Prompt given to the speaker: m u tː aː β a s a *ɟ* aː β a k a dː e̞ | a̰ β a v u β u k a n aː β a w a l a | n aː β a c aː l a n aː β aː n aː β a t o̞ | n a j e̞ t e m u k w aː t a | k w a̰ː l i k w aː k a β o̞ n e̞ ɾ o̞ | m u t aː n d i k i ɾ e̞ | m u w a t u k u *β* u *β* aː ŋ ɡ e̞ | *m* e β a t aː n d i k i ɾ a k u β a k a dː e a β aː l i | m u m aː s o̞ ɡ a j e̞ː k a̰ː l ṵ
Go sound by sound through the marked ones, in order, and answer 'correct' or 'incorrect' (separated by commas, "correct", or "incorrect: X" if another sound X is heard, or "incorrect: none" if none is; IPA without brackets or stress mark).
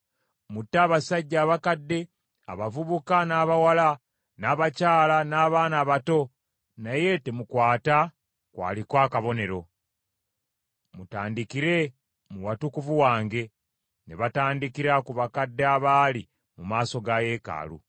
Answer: incorrect: ɟː, incorrect: v, incorrect: w, incorrect: n